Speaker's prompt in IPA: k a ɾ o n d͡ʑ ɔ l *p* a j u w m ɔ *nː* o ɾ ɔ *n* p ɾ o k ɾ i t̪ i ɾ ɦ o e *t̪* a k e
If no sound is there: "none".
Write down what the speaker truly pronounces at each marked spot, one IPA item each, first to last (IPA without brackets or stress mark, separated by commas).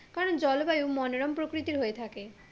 b, n, m, t̪ʰ